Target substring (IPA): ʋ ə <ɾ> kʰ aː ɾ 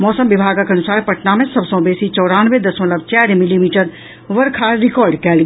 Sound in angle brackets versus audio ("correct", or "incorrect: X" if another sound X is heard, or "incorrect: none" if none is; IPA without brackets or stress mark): correct